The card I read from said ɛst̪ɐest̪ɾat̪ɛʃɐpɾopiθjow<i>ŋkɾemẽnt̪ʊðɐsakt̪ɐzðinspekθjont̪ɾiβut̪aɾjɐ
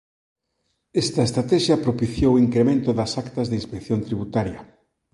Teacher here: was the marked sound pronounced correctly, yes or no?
yes